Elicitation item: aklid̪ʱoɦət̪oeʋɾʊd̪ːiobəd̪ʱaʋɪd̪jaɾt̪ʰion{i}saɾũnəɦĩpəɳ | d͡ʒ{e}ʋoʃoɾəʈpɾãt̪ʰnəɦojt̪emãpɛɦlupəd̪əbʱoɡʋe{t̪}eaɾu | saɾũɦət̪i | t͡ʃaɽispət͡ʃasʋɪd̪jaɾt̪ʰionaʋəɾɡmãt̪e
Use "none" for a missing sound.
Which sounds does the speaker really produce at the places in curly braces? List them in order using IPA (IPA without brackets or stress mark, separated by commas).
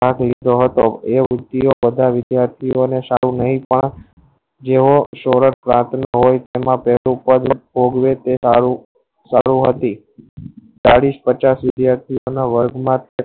e, e, t̪